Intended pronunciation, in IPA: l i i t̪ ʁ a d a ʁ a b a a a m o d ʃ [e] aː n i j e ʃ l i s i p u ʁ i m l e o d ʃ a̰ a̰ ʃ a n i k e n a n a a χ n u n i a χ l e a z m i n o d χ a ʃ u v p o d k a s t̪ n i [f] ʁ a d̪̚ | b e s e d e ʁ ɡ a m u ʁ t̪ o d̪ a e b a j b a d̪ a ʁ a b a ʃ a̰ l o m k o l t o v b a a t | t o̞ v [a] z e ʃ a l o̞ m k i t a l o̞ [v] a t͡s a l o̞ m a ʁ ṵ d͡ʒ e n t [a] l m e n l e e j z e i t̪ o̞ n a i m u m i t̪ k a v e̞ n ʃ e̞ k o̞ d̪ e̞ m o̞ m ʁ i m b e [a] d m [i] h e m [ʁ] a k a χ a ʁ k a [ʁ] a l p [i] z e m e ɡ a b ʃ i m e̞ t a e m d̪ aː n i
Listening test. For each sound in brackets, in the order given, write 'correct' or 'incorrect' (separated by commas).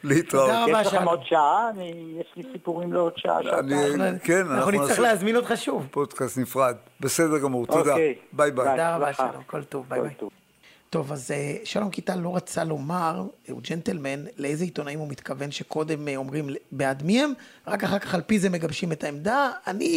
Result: incorrect, correct, correct, incorrect, incorrect, correct, correct, correct, incorrect, correct